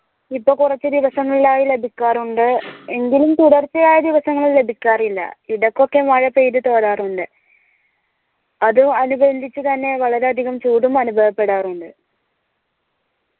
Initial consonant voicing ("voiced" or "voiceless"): voiceless